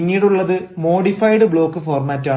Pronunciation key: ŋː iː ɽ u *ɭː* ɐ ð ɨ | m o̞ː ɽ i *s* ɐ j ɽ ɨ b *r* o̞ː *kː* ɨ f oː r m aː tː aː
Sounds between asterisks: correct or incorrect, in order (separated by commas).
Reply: correct, incorrect, incorrect, correct